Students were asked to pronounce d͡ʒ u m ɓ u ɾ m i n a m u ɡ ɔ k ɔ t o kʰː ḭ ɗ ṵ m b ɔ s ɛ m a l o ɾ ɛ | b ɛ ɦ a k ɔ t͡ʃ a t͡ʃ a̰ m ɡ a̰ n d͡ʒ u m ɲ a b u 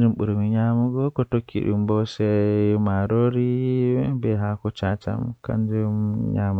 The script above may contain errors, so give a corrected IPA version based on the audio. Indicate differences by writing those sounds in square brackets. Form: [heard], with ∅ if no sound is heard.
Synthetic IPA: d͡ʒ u m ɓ u ɾ m i [ɲ] a m u ɡ ɔ k ɔ t o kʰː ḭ ɗ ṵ m b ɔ s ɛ m a [ɾ] o ɾ [i] | b ɛ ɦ a k ɔ t͡ʃ a t͡ʃ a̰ m [k] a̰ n d͡ʒ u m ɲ a [m] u